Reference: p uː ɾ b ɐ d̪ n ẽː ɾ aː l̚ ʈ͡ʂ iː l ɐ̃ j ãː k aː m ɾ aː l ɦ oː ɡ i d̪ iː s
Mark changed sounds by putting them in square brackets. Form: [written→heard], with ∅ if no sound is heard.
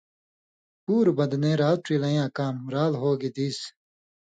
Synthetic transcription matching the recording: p uː ɾ b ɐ d̪ n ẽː ɾ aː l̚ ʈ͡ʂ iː l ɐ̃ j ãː k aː m ɾ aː l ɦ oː ɡ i d̪ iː s